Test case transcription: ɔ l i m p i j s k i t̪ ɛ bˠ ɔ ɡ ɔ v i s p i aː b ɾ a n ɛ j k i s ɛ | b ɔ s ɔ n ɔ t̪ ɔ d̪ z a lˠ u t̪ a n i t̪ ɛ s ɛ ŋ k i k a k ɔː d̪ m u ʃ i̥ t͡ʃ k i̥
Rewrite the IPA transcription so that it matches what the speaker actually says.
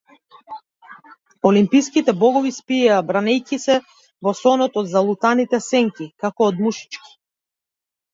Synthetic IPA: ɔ l i m p i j s k i t̪ ɛ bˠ ɔ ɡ ɔ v i s p i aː b ɾ a n ɛ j k i s ɛ | v ɔ s ɔ n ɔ t̪ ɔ d̪ z a lˠ u t̪ a n i t̪ ɛ s ɛ ŋ k i k a k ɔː d̪ m u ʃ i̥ t͡ʃ k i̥